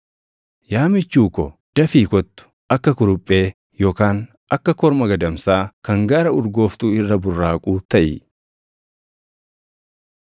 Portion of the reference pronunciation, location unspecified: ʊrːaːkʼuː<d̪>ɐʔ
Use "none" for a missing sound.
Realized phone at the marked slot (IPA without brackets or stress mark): t̪